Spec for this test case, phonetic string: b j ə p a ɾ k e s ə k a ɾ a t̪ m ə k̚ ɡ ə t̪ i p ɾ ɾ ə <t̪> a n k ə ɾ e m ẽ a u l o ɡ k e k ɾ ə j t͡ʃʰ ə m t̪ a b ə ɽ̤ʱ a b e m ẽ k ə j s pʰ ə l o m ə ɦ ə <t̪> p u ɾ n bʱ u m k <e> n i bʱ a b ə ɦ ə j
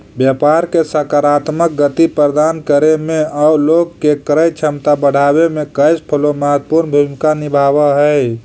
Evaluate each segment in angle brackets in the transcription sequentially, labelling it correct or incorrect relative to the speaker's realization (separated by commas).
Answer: incorrect, correct, incorrect